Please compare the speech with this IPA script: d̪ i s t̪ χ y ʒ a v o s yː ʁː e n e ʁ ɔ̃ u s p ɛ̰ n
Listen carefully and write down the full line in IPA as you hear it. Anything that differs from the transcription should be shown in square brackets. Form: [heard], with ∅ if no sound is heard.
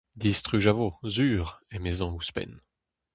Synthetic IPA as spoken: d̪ i s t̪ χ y ʒ a v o [z] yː [ʁ] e [m] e [z] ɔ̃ u s p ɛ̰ n